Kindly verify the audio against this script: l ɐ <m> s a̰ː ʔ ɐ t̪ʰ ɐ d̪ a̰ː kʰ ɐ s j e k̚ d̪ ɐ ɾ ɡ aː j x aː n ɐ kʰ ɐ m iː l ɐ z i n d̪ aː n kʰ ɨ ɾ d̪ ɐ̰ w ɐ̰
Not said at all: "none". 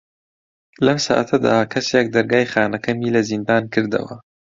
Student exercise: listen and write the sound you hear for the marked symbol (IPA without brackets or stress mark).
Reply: m